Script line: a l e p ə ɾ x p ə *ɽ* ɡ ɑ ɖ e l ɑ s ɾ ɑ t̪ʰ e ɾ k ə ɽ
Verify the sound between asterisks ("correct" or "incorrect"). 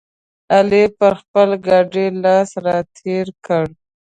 incorrect